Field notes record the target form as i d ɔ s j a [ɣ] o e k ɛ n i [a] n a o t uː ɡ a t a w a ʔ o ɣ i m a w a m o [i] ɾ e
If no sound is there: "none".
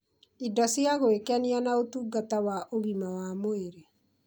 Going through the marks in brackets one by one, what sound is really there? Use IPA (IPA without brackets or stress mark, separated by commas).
ɣ, a, e